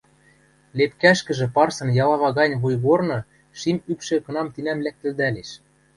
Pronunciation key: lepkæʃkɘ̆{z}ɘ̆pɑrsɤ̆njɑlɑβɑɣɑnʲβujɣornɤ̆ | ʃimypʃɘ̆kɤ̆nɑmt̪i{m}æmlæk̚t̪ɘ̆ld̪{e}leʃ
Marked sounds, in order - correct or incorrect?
incorrect: ʒ, incorrect: n, incorrect: æ

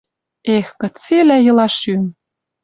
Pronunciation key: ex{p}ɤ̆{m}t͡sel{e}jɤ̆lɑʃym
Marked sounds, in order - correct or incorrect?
incorrect: k, incorrect: none, incorrect: æ

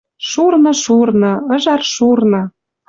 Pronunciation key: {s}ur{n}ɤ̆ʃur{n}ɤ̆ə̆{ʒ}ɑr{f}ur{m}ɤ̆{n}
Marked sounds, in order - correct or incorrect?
incorrect: ʃ, correct, correct, correct, incorrect: ʃ, incorrect: n, incorrect: none

